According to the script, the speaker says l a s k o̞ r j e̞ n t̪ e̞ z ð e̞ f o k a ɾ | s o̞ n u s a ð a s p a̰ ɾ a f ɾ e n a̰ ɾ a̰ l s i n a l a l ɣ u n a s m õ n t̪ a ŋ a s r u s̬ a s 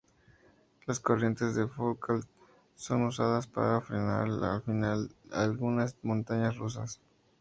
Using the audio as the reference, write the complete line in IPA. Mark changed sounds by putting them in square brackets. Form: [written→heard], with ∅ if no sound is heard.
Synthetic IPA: l a s k o̞ r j e̞ n t̪ e̞ z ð e̞ f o k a [ɾ→l] | s o̞ n u s a ð a s p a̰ ɾ a f ɾ e n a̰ ɾ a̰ l [s→f] i n a l a l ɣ u n a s m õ n t̪ a [ŋ→ɲ] a s r u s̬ a s